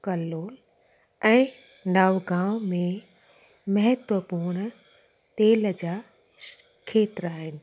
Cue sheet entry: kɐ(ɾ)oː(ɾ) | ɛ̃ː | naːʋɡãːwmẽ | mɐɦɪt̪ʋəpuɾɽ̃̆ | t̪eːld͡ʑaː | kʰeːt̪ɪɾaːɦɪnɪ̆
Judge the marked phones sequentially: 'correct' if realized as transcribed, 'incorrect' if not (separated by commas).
incorrect, incorrect